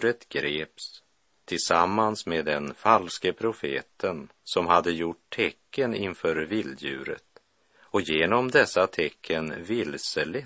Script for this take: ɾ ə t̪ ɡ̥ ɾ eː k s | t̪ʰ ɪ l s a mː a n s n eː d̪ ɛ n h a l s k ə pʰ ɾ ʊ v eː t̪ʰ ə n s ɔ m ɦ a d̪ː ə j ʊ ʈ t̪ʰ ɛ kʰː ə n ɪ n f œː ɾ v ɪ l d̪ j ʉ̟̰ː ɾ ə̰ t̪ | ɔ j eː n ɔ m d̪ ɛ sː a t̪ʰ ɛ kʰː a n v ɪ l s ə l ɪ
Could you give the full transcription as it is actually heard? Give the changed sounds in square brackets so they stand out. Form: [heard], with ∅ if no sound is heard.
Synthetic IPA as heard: ɾ ə t̪ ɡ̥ ɾ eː [p] s | t̪ʰ ɪ l s a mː a n s [m] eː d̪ ɛ n [f] a l s k ə pʰ ɾ ʊ [f] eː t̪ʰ ə n s ɔ m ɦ a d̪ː ə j ʊ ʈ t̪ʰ ɛ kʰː ə n ɪ n f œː ɾ v ɪ l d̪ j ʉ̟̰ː ɾ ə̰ t̪ | ɔ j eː n ɔ m d̪ ɛ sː a t̪ʰ ɛ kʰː [ə] n v ɪ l s ə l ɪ